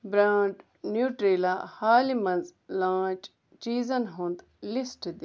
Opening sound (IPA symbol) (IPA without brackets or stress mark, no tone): b